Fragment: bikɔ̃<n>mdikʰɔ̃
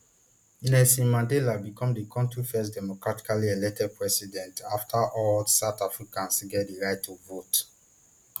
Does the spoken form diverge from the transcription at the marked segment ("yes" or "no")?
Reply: yes